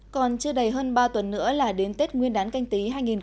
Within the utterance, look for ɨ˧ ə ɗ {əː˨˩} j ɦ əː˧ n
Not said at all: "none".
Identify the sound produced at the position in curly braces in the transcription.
ə˨˩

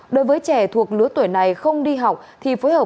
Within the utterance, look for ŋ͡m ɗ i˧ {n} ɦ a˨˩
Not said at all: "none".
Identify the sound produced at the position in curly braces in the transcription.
none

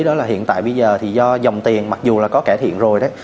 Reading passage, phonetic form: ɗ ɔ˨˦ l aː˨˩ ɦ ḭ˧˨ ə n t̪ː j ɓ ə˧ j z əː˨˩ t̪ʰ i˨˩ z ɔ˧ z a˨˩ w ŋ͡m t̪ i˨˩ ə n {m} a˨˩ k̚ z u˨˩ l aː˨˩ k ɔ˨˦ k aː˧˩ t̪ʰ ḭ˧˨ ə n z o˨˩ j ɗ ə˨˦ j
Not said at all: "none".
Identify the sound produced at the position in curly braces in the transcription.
m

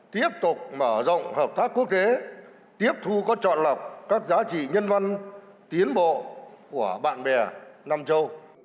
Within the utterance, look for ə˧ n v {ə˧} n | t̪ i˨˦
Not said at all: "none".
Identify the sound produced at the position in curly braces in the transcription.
a˧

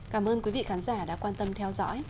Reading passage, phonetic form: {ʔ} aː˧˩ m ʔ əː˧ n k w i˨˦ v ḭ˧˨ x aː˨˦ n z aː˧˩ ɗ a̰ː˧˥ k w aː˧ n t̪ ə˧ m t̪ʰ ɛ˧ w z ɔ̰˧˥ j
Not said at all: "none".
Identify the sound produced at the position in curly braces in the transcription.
k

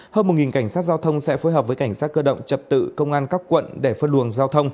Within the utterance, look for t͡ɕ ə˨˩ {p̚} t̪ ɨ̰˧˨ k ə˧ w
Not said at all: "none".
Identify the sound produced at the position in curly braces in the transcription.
p̚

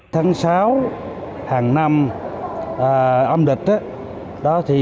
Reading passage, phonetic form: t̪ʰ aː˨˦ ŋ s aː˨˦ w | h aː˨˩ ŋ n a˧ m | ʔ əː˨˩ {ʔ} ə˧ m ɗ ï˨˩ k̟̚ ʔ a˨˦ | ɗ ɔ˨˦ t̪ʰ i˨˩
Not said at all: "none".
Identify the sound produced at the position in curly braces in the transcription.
ʔ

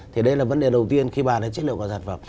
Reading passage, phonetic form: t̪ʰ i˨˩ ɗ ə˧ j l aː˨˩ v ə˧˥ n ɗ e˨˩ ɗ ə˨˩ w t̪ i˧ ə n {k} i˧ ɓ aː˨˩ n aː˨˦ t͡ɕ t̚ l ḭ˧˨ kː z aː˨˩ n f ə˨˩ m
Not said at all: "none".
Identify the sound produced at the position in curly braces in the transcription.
x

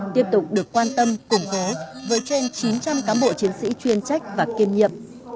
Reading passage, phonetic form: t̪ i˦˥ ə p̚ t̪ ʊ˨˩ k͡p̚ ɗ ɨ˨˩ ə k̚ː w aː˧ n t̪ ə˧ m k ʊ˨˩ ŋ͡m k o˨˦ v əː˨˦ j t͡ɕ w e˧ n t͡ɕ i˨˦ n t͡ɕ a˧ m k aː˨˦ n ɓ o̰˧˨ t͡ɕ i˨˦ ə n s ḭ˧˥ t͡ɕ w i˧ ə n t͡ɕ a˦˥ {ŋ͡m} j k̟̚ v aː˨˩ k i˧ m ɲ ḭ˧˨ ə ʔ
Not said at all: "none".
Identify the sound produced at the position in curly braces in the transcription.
none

